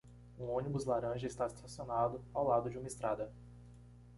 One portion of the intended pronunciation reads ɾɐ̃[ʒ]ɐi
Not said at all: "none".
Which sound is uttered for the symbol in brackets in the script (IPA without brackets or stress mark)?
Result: ʒ